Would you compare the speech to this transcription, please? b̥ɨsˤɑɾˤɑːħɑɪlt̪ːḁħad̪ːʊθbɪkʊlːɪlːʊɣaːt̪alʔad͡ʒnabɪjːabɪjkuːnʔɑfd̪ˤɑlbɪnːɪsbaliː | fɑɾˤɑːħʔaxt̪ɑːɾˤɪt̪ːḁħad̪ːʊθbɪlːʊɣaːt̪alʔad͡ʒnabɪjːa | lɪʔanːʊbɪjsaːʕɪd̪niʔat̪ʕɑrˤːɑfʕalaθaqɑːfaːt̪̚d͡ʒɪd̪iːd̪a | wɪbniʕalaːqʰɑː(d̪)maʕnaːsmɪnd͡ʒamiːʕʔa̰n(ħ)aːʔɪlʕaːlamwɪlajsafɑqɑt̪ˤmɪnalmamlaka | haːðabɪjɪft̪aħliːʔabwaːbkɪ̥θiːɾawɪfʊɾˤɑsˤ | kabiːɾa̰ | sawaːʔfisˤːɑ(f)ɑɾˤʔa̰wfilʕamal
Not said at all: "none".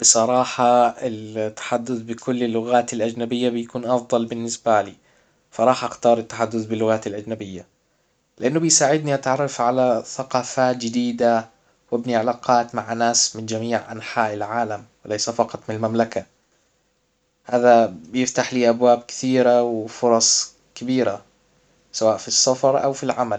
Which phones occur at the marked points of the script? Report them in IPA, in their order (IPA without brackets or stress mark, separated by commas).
t̪, ħ, f